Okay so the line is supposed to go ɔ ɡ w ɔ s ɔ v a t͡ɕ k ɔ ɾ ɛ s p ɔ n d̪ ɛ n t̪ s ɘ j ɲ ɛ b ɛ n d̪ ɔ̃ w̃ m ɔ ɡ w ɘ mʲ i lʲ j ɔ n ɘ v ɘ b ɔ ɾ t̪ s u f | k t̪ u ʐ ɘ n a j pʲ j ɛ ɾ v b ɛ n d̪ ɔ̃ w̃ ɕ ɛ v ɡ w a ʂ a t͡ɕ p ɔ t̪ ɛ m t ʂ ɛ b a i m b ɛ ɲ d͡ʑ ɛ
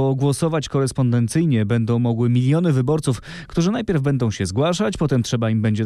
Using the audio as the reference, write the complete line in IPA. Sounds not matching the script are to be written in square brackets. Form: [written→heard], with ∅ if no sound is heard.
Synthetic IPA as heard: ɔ ɡ w ɔ s ɔ v a t͡ɕ k ɔ ɾ ɛ s p ɔ n d̪ ɛ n t̪ s ɘ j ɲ ɛ b ɛ n d̪ ɔ̃ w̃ m ɔ ɡ w ɘ mʲ i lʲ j ɔ n ɘ v ɘ b ɔ ɾ t̪ s u f | k t̪ u ʐ ɘ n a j pʲ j ɛ ɾ v b ɛ n d̪ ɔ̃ w̃ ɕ ɛ [v→z] ɡ w a ʂ a t͡ɕ p ɔ t̪ ɛ m t ʂ ɛ b a i m b ɛ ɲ d͡ʑ ɛ